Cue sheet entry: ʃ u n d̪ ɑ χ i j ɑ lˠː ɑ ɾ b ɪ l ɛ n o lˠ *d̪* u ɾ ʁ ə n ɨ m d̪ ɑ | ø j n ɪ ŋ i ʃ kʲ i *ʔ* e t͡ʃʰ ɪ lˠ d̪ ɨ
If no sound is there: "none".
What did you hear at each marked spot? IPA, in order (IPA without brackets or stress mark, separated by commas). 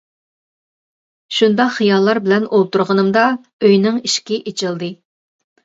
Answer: t̪, ʔ